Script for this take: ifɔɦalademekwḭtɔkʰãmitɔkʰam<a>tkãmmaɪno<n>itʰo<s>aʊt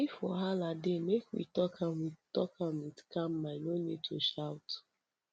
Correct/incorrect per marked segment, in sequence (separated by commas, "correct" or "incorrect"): incorrect, correct, incorrect